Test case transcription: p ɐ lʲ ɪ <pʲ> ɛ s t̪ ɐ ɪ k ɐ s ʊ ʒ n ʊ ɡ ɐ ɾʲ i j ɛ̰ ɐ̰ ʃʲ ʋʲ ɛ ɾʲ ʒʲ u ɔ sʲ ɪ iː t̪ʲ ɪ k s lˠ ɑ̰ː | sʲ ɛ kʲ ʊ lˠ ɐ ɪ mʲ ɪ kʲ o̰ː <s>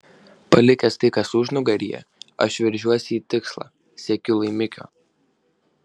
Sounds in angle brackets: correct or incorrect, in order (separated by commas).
incorrect, incorrect